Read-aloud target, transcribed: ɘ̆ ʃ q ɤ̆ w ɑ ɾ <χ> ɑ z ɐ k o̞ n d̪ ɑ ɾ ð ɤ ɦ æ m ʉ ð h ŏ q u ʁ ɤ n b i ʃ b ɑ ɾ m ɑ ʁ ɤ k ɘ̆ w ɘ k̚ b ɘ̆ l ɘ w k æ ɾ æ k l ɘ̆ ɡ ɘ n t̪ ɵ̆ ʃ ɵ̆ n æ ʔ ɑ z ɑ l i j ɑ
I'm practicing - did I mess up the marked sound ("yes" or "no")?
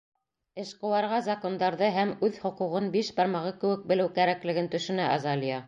yes